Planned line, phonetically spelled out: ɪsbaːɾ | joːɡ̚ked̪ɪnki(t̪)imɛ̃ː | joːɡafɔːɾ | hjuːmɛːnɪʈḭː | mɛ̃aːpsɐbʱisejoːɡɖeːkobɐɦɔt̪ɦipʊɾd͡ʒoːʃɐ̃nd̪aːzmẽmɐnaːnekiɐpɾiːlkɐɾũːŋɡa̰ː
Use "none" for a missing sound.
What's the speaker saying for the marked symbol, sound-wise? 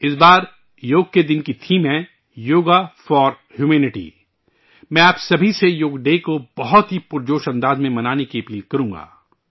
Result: t̪ʰ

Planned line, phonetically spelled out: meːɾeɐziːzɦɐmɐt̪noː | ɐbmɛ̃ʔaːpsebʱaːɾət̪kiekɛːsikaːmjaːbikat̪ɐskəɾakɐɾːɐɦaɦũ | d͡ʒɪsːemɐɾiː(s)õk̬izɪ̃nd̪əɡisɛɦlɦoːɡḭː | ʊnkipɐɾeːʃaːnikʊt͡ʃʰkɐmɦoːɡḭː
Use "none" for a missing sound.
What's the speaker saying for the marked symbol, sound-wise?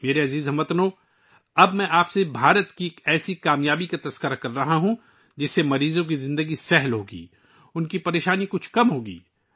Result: z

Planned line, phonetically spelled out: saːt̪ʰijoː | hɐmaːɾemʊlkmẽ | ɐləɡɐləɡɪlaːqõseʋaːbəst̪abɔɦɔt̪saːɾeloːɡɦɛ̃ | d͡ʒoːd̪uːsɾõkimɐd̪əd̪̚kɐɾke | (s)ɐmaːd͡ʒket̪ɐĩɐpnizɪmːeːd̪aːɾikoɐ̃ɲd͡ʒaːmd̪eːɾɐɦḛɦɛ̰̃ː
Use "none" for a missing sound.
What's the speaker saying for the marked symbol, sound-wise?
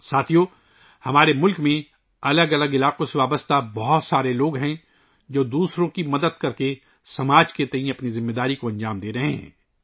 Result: s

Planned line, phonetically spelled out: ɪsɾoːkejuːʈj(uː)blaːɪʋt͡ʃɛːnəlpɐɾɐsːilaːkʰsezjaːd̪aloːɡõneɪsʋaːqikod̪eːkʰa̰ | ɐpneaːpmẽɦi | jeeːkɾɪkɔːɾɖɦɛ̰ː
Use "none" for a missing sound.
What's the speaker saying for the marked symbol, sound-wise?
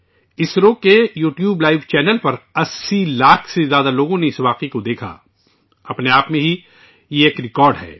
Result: uː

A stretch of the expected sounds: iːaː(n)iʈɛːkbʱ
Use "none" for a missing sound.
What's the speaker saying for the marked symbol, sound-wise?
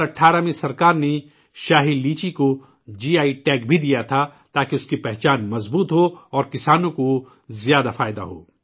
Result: none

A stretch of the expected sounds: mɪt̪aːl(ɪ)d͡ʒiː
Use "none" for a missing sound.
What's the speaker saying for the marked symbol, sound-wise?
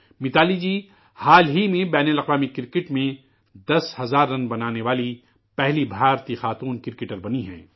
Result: i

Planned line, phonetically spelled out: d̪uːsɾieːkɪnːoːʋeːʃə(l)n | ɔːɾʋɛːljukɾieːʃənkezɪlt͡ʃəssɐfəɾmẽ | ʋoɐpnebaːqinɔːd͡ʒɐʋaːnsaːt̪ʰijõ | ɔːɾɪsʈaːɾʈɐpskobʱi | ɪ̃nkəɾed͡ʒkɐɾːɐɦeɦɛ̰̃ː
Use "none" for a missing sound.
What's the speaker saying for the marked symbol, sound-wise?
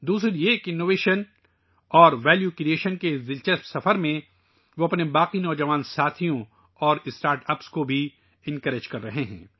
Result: none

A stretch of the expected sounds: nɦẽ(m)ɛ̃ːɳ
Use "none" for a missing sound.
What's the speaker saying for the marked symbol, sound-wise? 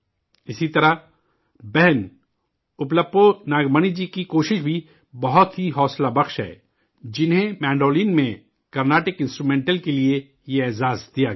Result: m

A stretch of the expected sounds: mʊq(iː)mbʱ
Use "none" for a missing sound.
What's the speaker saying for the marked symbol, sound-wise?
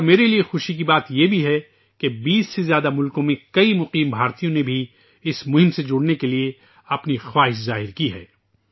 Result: iː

